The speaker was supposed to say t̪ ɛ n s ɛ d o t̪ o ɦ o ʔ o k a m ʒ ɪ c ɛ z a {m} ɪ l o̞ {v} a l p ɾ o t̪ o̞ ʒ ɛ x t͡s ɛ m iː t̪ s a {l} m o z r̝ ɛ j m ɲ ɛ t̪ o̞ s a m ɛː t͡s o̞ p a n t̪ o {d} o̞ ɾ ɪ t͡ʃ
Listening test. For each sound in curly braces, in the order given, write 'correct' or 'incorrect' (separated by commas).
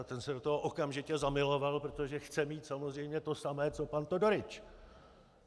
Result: correct, correct, incorrect, correct